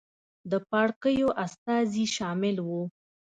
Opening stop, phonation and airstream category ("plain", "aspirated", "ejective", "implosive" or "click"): plain